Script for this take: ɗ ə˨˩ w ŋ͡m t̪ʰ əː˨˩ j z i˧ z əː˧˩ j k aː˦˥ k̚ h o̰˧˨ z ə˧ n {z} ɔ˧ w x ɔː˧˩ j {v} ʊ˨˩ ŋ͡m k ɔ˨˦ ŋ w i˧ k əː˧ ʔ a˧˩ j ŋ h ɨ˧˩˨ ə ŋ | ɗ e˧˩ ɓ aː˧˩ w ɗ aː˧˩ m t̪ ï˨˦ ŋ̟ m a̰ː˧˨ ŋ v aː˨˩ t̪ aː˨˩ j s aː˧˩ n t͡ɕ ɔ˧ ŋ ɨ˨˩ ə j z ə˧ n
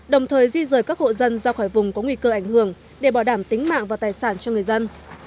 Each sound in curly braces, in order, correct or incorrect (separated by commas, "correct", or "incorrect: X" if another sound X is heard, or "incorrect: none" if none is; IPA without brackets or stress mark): correct, correct